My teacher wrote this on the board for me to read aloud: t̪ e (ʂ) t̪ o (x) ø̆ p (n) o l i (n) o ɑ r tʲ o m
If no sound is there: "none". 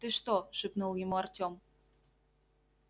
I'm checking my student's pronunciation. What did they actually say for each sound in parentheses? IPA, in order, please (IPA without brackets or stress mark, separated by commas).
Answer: ʃ, ʃ, n, m